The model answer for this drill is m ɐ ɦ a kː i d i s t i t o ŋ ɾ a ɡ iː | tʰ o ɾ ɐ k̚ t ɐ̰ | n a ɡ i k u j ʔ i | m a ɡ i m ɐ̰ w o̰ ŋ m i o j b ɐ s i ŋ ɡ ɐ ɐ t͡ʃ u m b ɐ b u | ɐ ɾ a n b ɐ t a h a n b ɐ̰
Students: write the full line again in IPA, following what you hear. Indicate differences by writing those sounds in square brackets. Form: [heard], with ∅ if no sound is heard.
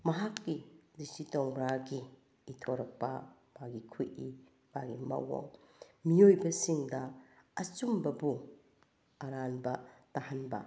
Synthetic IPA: m ɐ ɦ a kː i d i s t i t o ŋ ɾ a ɡ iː | tʰ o ɾ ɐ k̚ [p] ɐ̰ | [m] a ɡ i [kʰ] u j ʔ i | m a ɡ i m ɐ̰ w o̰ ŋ m i o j b ɐ s i ŋ [d] ɐ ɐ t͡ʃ u m b ɐ b u | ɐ ɾ a n b ɐ t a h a n b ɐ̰